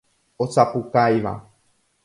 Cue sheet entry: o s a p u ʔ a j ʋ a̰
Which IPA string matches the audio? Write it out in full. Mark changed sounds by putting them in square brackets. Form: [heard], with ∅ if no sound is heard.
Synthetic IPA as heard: o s a p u [k] a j ʋ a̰